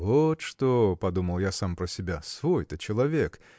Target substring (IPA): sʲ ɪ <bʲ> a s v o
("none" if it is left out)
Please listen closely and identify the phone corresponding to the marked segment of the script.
bʲ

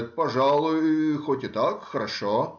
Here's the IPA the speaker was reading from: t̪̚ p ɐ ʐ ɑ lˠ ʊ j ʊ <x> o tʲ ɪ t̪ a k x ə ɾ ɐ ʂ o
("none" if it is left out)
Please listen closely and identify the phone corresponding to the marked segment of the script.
x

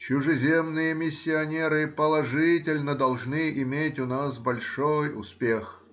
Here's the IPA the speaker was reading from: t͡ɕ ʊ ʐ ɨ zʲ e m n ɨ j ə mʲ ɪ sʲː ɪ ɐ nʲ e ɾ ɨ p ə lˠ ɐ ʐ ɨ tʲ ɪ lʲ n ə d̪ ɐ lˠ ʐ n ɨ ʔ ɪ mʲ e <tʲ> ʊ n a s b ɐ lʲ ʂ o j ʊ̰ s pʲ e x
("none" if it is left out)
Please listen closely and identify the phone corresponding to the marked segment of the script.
tʲ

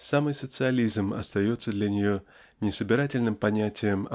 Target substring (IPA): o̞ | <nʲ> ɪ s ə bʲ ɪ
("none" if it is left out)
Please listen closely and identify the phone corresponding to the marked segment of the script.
nʲ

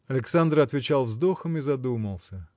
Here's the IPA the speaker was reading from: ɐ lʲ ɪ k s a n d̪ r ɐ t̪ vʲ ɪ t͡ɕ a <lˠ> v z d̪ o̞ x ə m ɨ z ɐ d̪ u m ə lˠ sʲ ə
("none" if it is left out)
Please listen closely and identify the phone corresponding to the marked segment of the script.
lˠ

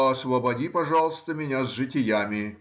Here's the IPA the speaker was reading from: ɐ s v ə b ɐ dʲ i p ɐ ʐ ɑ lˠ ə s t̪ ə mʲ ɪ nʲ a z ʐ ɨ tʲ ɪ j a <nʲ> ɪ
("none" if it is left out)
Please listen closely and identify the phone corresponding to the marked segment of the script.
mʲ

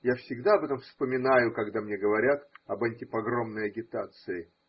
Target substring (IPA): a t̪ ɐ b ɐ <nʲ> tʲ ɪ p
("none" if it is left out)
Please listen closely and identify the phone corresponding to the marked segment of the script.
nʲ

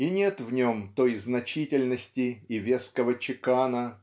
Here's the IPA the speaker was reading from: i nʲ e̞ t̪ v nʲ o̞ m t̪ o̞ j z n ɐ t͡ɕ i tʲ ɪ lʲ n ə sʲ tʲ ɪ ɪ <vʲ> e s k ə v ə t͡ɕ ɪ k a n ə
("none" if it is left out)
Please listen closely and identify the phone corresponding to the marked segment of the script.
vʲ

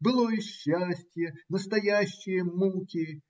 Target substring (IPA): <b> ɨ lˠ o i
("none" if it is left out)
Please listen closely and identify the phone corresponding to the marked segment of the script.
b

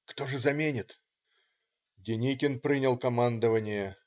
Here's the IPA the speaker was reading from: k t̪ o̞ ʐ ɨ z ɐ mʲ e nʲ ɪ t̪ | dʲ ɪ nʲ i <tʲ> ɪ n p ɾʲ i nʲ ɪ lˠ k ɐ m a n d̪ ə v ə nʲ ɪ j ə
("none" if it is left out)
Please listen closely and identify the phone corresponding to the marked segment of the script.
kʲ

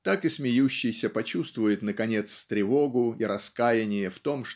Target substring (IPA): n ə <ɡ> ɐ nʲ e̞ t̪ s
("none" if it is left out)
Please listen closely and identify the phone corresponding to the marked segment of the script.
k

